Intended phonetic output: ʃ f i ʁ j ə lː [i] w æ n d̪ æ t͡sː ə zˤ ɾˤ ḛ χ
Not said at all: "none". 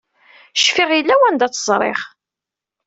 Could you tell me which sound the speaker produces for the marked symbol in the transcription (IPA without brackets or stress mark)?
æ